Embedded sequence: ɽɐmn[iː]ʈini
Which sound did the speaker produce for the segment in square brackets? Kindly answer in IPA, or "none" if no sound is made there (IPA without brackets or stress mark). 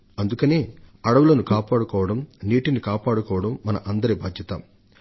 iː